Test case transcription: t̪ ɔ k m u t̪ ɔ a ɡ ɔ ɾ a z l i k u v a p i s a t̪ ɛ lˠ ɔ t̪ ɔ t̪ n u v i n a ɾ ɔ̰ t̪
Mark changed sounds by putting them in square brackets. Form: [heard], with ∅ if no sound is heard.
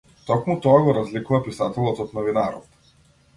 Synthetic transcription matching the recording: t̪ ɔ k m u t̪ ɔ a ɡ ɔ ɾ a z l i k u v a p i s a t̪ ɛ lˠ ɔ t̪ ɔ t̪ n [ɔ] v i n a ɾ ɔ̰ t̪